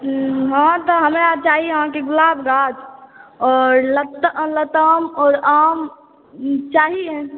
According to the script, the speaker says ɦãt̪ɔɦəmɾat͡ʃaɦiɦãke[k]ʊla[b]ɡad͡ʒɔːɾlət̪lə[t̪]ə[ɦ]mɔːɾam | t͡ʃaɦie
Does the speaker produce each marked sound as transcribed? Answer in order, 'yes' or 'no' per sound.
no, yes, yes, no

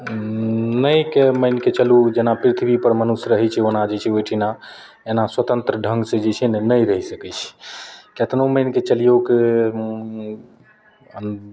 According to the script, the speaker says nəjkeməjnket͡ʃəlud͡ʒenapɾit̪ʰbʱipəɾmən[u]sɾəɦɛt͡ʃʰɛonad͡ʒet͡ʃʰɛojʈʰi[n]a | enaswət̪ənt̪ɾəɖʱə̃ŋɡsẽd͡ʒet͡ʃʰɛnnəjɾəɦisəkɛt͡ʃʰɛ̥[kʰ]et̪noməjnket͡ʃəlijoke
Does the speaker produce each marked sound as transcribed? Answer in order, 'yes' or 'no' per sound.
yes, yes, no

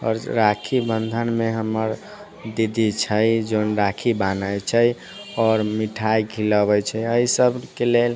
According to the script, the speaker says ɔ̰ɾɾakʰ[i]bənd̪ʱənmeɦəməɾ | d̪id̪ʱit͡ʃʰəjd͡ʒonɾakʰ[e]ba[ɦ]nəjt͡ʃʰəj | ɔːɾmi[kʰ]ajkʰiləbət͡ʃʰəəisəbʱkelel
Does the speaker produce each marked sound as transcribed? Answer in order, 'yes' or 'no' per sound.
yes, no, no, no

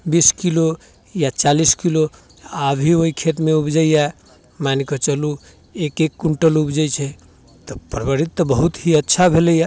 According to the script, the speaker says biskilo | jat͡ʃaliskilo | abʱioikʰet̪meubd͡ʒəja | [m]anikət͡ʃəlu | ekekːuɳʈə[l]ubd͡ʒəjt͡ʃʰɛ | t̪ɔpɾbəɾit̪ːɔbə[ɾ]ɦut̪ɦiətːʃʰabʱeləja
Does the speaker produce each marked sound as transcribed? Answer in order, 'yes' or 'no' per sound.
yes, yes, no

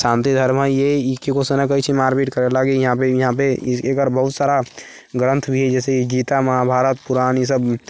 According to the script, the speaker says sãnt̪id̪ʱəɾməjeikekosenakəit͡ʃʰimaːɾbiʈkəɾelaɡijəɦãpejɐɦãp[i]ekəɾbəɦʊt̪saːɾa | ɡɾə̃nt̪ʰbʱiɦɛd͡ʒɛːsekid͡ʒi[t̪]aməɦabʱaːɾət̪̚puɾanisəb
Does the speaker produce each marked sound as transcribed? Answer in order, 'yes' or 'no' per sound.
no, yes

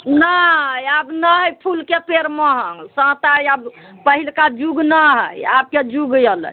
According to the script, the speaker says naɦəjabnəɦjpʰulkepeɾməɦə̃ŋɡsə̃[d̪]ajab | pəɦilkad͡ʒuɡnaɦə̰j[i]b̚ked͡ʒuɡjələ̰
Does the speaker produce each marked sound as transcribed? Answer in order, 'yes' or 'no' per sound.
no, no

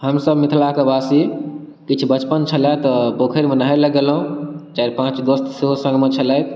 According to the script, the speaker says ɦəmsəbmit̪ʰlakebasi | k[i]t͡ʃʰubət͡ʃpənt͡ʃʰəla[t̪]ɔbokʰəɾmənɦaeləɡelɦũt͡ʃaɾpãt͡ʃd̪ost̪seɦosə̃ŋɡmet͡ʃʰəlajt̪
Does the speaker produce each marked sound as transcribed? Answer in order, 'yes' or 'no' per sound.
yes, yes

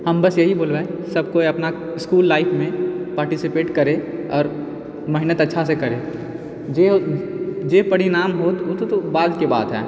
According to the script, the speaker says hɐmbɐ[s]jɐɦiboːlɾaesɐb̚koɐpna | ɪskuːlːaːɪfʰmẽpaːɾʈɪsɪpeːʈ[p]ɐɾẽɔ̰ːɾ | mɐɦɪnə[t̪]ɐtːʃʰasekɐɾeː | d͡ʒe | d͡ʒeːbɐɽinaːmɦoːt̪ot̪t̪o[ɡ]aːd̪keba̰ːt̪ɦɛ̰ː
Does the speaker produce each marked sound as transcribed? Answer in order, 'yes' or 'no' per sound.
yes, no, yes, no

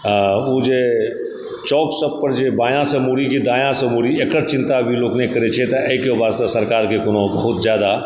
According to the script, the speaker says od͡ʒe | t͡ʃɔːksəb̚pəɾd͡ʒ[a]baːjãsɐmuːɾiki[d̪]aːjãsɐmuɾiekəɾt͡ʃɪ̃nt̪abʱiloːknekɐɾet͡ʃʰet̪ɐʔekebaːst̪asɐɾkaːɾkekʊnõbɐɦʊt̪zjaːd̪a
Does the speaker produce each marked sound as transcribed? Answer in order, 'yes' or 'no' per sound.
no, yes

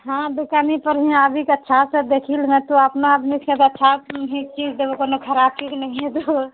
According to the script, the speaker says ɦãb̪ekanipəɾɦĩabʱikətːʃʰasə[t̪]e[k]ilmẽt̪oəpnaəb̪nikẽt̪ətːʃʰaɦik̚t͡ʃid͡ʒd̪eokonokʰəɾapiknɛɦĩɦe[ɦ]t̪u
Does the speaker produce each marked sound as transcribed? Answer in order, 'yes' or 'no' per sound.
no, no, no

